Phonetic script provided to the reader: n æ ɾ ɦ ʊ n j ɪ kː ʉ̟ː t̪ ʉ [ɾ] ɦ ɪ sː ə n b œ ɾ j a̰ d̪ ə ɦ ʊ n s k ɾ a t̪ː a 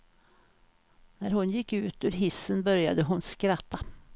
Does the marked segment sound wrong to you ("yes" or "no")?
no